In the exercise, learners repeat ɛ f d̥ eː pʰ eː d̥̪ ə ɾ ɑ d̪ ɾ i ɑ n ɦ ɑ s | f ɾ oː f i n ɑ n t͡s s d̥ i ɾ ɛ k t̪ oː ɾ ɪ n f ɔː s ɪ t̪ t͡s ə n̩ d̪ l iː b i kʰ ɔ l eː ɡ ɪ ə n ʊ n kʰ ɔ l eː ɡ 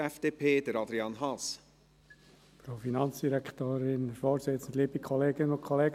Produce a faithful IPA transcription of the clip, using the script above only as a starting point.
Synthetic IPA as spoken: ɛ f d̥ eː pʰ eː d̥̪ ə ɾ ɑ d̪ ɾ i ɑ n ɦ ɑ s | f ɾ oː f i n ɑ n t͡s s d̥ i ɾ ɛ k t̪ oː ɾ ɪ n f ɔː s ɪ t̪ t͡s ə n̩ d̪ l iː b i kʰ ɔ l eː ɡ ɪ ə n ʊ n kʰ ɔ l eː ɡ